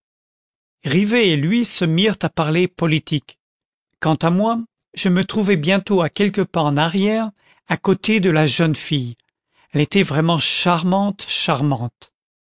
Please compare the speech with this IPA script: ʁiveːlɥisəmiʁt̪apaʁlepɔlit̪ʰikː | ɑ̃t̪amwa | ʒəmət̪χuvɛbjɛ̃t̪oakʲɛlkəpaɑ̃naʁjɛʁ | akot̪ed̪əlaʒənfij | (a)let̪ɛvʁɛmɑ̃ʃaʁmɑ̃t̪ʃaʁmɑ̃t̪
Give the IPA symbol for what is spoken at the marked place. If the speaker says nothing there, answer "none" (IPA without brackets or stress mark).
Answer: ɛ